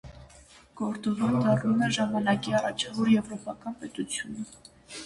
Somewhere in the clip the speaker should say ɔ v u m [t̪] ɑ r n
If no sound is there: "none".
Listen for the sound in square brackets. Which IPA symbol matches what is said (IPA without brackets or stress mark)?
d̪